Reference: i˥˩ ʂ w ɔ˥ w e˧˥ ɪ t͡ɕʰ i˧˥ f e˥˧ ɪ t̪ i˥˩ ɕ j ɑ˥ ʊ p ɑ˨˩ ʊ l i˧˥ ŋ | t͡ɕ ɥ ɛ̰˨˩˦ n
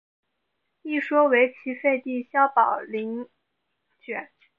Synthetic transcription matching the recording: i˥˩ ʂ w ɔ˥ w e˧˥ ɪ t͡ɕʰ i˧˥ f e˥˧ ɪ t̪ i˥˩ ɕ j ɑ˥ ʊ p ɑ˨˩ ʊ l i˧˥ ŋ | t͡ɕ ɥ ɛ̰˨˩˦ n